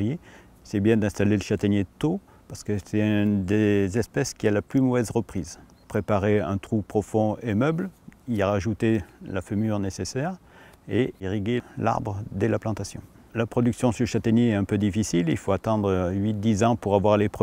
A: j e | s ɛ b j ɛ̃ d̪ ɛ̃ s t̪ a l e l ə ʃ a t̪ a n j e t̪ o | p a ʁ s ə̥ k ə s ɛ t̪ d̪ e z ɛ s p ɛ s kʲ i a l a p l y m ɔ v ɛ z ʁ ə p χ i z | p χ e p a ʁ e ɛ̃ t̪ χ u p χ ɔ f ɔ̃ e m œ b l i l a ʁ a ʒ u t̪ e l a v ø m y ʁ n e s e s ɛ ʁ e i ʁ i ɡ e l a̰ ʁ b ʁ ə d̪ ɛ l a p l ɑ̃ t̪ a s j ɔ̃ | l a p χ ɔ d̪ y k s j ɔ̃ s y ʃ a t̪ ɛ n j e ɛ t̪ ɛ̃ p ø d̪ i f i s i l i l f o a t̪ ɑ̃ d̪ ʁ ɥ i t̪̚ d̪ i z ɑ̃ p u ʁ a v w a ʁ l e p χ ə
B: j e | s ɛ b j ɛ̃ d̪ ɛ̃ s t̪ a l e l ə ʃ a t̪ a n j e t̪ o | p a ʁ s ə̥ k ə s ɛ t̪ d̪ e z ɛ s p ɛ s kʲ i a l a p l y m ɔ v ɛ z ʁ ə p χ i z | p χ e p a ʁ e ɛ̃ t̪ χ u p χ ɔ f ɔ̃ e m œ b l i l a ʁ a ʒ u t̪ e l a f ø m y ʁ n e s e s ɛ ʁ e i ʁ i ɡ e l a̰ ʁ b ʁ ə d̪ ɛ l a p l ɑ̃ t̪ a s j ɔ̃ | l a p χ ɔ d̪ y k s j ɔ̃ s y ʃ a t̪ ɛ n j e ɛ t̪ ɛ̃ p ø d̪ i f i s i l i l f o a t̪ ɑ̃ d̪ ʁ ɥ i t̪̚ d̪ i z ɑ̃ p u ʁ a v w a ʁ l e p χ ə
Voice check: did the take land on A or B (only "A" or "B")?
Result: B